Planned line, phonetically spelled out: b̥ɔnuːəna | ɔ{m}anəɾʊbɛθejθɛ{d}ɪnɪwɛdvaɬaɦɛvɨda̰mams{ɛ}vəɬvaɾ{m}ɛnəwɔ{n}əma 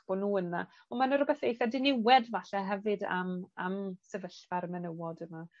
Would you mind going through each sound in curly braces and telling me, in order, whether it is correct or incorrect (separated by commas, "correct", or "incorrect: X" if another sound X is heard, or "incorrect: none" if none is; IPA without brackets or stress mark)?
correct, correct, correct, correct, incorrect: d